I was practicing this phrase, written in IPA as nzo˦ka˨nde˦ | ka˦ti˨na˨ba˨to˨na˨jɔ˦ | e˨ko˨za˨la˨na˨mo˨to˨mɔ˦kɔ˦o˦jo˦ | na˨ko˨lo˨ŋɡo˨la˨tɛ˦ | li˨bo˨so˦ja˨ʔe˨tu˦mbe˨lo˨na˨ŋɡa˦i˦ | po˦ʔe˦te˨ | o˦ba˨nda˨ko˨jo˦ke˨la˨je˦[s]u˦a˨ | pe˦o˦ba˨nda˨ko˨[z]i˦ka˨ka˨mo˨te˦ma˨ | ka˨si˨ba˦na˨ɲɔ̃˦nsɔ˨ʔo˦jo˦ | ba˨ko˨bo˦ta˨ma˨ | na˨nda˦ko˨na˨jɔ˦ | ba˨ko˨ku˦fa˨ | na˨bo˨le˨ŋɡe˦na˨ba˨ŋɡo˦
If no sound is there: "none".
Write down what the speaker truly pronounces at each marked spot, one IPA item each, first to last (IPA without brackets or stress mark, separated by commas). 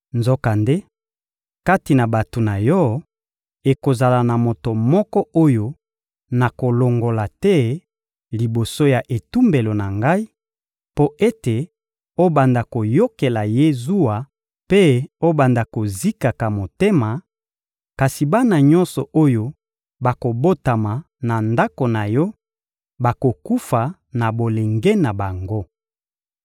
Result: z, z